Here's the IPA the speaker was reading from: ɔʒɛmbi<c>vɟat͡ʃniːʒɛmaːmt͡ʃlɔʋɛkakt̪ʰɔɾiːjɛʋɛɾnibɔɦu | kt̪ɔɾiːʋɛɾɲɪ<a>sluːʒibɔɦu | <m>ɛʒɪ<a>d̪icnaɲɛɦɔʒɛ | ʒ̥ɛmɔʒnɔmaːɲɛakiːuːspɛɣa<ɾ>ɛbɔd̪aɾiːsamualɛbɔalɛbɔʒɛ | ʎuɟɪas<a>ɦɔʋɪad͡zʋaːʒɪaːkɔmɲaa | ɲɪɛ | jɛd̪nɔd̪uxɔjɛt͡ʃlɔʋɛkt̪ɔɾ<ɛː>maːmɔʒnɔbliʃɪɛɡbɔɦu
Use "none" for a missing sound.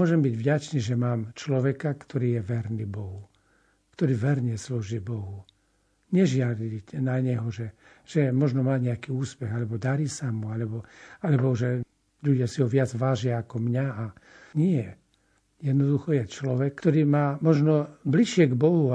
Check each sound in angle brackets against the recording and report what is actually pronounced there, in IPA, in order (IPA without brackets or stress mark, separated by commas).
ɟ, ɛ, ɲ, a, l, i, iː